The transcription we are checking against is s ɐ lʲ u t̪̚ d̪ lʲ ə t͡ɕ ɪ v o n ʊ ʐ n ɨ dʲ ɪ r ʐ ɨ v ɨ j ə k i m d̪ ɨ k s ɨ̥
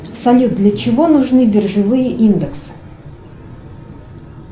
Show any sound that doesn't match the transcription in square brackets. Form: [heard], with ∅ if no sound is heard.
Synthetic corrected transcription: s ɐ lʲ u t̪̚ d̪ lʲ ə t͡ɕ ɪ v o n ʊ ʐ n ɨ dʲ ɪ r ʐ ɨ v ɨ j ə [ʔ] i [n] d̪ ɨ k s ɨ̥